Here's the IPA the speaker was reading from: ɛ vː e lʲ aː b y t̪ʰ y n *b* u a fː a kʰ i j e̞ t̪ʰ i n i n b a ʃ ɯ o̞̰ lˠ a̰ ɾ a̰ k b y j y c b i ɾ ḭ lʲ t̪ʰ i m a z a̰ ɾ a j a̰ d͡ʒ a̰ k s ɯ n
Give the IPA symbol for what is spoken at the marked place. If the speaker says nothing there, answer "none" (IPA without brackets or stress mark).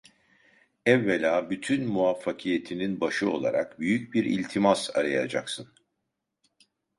m